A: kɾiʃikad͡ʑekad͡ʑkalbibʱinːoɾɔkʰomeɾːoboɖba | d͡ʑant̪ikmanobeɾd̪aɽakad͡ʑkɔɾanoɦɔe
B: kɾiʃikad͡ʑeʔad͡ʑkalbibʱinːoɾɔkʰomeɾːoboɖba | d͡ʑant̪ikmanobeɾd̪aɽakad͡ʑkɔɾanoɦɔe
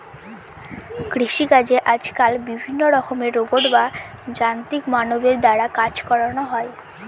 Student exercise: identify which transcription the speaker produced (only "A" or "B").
B